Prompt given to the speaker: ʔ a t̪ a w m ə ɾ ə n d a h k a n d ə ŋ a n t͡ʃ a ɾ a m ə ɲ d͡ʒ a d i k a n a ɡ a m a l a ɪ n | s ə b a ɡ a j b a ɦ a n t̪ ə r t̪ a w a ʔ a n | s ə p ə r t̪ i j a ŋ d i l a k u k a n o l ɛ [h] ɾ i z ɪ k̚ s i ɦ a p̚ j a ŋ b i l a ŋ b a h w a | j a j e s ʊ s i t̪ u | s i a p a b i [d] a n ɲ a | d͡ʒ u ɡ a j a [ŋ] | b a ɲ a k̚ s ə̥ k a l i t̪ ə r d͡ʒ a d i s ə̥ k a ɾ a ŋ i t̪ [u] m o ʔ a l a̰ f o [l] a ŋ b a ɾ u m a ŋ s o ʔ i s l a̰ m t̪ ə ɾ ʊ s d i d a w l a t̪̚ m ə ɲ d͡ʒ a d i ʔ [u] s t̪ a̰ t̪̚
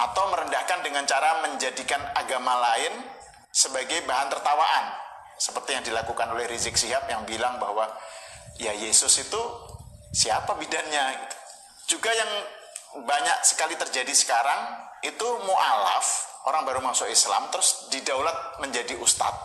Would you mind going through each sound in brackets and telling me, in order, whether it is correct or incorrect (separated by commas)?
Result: correct, correct, correct, correct, incorrect, correct